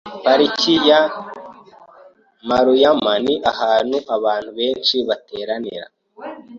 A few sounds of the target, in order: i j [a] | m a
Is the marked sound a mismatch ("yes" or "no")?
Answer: no